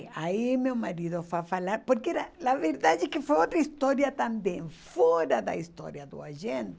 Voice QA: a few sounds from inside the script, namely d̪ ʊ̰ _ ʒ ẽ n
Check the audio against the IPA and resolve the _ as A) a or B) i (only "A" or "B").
A